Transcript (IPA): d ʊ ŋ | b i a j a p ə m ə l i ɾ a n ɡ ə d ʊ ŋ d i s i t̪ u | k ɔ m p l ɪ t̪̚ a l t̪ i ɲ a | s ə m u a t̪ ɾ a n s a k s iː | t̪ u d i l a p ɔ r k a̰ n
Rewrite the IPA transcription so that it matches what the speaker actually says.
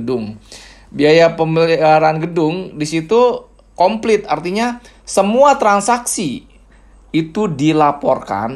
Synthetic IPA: d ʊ ŋ | b i a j a p ə m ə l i ɾ a n ɡ ə d ʊ ŋ d i s i t̪ u | k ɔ m p l ɪ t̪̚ a r t̪ i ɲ a | s ə m u a t̪ ɾ a n s a k s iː | t̪ u d i l a p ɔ r k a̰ n